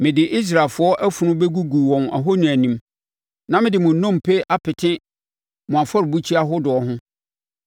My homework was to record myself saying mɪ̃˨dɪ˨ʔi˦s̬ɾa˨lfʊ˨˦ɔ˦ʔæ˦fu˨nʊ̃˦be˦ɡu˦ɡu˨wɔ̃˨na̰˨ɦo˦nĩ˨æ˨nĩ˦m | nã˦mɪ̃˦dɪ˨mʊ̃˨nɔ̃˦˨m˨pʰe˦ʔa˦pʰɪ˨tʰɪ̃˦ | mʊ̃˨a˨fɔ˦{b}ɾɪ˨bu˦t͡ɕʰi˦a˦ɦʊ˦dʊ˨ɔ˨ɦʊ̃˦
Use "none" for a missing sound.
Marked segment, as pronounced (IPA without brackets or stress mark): none